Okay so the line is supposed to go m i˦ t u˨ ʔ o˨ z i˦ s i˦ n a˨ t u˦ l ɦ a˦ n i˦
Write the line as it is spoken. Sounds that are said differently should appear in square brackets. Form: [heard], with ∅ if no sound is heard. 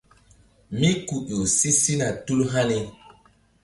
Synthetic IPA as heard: m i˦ [k] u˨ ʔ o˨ [s] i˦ s i˦ n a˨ t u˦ l ɦ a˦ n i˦